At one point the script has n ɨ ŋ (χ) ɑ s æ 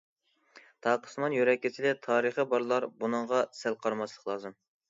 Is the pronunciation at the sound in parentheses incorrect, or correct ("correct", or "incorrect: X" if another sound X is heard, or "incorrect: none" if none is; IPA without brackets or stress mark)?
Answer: incorrect: ʁ